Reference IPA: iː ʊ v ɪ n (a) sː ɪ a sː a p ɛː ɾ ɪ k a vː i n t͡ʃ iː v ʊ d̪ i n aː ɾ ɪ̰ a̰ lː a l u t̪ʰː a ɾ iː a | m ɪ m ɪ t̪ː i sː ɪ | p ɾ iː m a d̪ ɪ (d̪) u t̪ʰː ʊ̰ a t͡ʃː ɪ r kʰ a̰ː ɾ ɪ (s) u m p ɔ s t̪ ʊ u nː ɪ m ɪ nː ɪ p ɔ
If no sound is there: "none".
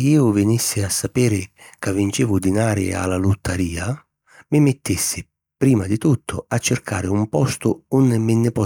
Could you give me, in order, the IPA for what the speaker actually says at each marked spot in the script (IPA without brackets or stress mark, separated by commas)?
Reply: i, t̪, none